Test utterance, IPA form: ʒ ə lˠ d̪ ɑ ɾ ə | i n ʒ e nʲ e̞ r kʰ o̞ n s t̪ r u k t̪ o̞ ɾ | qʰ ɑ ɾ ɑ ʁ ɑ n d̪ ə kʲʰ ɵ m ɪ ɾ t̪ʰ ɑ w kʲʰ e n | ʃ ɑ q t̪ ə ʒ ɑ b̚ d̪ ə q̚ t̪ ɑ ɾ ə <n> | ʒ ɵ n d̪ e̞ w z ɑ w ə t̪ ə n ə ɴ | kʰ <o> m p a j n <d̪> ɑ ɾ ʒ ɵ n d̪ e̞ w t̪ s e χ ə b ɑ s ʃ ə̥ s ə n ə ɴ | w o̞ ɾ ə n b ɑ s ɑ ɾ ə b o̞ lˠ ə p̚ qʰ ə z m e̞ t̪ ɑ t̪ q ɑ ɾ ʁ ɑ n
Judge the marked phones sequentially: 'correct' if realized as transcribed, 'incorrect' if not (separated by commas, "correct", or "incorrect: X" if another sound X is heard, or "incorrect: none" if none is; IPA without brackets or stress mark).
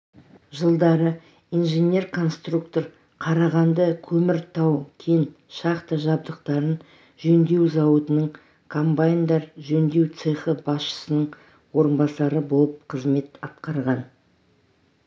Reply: correct, correct, correct